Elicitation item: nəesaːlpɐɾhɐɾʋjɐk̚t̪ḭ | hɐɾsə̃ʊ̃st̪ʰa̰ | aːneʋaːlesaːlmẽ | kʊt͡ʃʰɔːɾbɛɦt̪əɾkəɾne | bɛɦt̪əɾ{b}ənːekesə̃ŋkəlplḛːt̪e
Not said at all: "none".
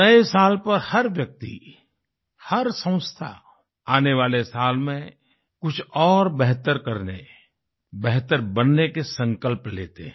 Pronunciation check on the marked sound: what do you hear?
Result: b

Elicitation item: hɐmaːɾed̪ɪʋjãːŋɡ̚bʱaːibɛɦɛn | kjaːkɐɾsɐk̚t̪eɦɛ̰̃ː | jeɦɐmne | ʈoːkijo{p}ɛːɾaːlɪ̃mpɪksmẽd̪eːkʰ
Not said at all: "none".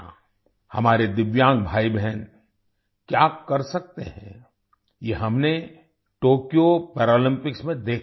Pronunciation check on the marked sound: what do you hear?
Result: p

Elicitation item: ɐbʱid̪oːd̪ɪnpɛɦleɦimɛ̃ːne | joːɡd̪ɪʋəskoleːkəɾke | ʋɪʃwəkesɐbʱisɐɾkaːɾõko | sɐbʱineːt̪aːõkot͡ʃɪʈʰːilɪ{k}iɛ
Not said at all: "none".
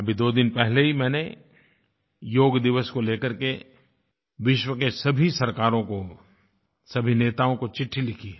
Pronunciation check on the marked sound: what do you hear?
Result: kʰ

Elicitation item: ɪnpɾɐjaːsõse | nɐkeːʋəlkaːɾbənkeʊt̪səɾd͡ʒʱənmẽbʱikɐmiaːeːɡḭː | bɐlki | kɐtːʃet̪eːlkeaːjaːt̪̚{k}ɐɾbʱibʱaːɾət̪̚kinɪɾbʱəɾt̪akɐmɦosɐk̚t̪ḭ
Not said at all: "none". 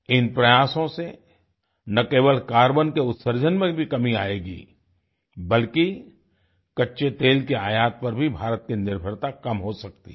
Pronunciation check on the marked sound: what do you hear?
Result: p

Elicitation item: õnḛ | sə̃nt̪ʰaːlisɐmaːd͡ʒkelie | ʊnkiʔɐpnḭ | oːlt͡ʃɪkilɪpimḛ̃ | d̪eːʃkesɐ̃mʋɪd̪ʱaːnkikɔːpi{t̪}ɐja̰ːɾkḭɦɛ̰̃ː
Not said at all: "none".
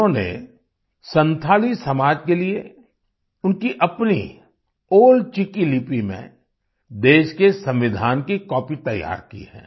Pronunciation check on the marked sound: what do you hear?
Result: t̪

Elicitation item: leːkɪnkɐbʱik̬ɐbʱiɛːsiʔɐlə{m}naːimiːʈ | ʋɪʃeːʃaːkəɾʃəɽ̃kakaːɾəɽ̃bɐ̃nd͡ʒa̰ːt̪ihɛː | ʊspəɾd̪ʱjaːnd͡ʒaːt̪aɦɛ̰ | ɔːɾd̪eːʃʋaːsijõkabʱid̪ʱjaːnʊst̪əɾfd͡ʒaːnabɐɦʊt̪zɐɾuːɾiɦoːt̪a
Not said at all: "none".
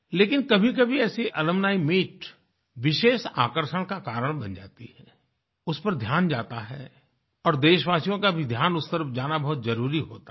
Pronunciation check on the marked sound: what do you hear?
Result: m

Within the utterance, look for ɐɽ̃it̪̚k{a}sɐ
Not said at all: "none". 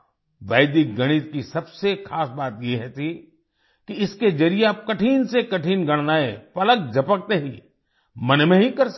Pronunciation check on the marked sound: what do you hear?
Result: i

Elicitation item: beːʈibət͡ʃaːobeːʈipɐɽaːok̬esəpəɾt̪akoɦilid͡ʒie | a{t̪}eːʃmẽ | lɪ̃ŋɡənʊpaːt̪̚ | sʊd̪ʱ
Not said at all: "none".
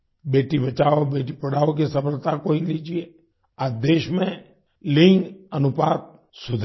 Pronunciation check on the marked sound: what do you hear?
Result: d̪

